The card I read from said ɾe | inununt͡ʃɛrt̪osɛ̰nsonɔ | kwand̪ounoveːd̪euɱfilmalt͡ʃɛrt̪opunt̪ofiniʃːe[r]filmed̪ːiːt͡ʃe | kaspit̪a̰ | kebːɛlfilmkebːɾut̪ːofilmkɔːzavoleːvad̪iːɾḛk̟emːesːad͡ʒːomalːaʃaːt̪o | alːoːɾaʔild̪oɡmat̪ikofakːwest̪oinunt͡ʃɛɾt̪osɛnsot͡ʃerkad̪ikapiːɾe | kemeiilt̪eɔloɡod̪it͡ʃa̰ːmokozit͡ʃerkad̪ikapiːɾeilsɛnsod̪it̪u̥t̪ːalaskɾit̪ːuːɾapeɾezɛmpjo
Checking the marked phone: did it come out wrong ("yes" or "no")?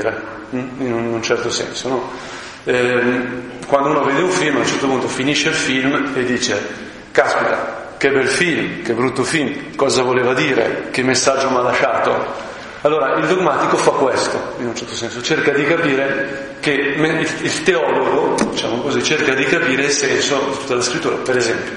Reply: yes